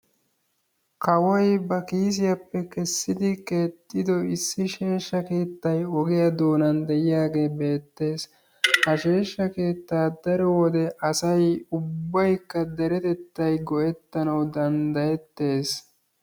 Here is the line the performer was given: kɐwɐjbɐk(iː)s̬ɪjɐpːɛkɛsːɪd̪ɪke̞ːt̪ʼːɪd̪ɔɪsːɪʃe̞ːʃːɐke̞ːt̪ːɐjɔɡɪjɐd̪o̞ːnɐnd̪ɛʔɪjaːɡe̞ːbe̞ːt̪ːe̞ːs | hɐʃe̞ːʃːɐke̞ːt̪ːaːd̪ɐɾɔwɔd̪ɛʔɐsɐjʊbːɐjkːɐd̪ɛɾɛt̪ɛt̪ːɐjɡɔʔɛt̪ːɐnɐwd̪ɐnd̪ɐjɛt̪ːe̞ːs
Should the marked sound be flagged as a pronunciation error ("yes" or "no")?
no